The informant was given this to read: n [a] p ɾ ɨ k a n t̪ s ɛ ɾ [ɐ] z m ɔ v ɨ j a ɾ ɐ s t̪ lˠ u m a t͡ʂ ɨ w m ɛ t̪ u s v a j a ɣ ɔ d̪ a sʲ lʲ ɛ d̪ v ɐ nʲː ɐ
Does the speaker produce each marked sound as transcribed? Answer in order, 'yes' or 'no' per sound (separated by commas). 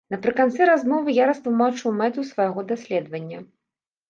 no, no